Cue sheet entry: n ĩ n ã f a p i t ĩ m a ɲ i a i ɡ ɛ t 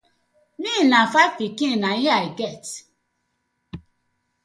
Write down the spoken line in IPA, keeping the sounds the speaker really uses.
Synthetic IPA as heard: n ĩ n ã f a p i k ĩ n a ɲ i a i ɡ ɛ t